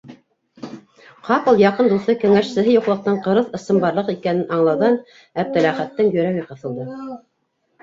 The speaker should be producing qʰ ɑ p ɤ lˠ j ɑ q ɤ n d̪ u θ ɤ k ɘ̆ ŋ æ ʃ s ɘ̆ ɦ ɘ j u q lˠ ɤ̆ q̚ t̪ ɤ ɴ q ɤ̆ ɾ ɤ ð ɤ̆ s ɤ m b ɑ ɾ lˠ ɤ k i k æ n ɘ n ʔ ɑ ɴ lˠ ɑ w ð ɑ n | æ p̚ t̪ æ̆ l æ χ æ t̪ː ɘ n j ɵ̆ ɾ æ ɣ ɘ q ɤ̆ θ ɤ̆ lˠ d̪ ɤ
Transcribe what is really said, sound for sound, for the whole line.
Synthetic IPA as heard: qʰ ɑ p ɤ lˠ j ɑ q ɤ n d̪ u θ ɤ k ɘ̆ ŋ æ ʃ s ɘ̆ ɦ ɘ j u q lˠ ɤ̆ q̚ t̪ ɤ ɴ q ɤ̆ ɾ ɤ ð ɤ̆ s ɤ m b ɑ ɾ lˠ ɤ q i k æ n ɘ n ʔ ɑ ɴ lˠ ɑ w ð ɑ n | æ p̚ t̪ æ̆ l æ χ æ t̪ː ɘ ŋ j ɵ̆ ɾ æ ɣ ɘ q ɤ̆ θ ɤ̆ lˠ d̪ ɤ